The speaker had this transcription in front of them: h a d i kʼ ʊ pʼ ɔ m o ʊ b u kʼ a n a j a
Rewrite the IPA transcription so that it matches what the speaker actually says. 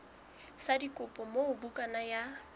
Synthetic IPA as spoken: s a d i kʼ ʊ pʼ ɔ m o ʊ b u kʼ a n a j a